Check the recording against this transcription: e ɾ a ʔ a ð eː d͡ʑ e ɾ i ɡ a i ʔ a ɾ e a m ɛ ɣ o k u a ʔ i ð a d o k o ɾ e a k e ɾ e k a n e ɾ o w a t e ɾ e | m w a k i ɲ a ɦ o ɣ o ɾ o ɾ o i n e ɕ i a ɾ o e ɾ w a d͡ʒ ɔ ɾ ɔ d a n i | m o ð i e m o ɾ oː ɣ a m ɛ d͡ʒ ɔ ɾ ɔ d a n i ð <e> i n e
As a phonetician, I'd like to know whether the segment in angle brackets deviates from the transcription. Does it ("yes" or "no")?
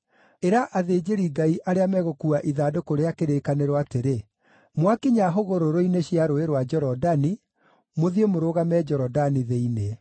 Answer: no